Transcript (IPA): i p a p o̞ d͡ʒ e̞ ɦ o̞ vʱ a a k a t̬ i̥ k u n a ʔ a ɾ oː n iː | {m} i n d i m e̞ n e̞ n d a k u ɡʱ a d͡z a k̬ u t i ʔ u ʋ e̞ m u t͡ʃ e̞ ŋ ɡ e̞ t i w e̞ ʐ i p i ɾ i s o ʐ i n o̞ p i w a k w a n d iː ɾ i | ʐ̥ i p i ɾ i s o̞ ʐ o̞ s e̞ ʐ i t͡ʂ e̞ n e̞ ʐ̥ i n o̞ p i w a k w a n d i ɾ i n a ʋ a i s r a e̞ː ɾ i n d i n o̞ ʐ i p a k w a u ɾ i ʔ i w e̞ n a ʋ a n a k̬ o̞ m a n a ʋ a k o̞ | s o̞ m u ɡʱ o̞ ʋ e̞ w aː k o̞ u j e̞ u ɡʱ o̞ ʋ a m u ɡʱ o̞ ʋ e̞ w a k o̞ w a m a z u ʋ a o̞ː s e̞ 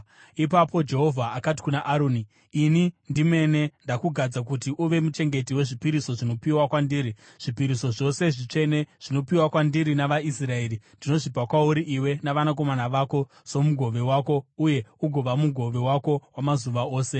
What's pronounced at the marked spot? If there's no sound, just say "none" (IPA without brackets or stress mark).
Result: n